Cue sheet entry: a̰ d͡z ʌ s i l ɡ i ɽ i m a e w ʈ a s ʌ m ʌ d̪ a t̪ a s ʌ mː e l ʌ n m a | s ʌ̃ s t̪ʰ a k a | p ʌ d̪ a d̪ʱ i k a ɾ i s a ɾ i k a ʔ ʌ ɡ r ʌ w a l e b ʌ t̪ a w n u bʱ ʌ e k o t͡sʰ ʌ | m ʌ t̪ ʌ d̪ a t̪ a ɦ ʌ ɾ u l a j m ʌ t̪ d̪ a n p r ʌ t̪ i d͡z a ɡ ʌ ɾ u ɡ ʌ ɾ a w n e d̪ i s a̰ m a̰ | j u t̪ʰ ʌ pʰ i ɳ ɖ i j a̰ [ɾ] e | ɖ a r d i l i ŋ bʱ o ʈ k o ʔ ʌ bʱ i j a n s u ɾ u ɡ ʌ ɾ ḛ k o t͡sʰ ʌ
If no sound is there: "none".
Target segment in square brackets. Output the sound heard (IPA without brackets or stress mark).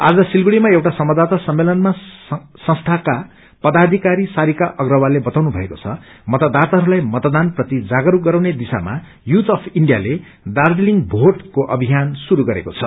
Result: l